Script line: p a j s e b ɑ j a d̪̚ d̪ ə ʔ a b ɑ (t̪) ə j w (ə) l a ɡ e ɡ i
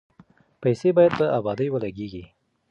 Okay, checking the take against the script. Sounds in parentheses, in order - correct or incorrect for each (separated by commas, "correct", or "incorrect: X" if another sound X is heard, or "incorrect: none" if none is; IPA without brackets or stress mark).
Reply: incorrect: d̪, correct